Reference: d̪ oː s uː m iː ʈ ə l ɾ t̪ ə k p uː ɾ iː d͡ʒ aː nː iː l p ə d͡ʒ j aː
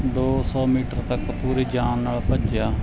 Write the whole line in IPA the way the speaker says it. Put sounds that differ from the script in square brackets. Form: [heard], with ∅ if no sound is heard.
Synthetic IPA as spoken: d̪ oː s [ɔː] m iː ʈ ə [∅] ɾ t̪ ə k p uː ɾ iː d͡ʒ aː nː [aː] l p ə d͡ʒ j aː